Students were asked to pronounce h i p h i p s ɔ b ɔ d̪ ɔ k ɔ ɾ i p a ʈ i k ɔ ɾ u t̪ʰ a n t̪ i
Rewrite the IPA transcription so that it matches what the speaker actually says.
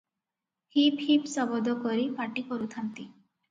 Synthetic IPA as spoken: h i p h i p s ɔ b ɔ d̪ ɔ k ɔ ɾ i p a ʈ i k ɔ ɾ u t̪ʰ a n t̪ i

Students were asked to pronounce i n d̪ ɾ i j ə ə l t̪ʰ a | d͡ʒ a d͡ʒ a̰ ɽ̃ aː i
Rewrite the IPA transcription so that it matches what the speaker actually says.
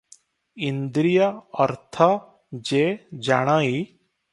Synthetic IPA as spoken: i n d̪ ɾ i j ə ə ɾ t̪ʰ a | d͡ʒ e d͡ʒ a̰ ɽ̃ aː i

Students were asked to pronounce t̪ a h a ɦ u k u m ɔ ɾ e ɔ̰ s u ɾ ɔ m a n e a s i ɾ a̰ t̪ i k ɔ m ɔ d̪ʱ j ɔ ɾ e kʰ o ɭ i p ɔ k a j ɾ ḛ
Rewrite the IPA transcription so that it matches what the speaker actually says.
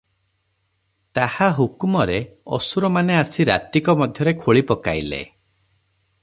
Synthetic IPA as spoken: t̪ a h a ɦ u k u m ɔ ɾ e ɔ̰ s u ɾ ɔ m a n e a s i ɾ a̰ t̪ i k ɔ m ɔ d̪ʱ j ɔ ɾ e kʰ o ɭ i p ɔ k a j l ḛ

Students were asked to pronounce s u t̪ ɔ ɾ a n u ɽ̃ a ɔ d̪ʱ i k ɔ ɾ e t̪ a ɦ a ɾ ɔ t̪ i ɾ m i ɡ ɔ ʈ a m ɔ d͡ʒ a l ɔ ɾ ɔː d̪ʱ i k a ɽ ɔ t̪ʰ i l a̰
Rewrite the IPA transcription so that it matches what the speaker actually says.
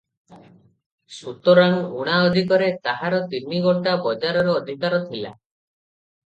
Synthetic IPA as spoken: s u t̪ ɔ ɾ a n u ɽ̃ a ɔ d̪ʱ i k ɔ ɾ e t̪ a ɦ a ɾ ɔ t̪ i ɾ m i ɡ ɔ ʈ a b ɔ d͡ʒ a ɾ ɔ ɾ ɔː d̪ʱ i k a ɾ ɔ t̪ʰ i l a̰

